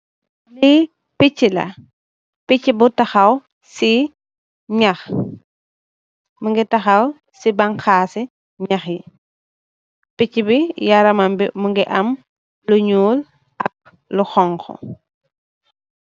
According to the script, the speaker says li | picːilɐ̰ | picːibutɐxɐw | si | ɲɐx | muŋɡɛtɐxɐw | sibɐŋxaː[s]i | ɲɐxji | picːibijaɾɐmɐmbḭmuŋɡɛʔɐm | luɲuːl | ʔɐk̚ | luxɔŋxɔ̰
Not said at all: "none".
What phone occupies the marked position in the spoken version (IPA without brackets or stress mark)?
s